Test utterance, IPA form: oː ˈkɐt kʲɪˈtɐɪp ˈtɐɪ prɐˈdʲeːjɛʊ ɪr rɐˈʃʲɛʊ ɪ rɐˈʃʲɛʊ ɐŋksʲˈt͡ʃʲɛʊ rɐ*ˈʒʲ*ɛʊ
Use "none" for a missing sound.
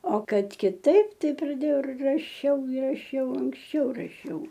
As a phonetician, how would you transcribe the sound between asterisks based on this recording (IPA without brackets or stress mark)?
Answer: ʃʲ